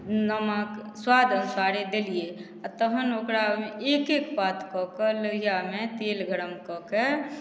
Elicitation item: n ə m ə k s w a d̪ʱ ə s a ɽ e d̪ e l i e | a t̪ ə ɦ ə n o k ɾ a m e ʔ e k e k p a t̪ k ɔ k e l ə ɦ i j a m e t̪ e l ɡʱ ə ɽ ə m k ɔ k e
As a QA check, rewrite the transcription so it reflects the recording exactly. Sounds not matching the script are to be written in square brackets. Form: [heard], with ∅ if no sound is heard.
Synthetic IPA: n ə m ə k s w a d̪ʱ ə s a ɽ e d̪ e l i e | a t̪ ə ɦ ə n o k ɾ a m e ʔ e k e k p a t̪ k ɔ k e l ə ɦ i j a m e t̪ e l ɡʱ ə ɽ ə m k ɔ k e